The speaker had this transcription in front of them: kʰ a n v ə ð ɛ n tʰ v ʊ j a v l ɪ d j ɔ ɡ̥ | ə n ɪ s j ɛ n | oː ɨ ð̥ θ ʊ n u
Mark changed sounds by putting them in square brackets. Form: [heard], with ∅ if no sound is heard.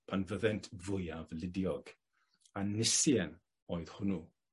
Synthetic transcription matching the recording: [pʰ] a n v ə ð ɛ n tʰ v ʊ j a v l ɪ d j ɔ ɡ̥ | [a] n ɪ s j ɛ n | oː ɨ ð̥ [h] ʊ n u